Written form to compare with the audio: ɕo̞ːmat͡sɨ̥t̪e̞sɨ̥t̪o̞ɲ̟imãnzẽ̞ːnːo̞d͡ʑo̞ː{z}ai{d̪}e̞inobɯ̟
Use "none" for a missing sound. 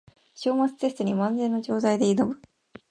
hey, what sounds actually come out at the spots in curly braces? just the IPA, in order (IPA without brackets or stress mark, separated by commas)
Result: z, d̪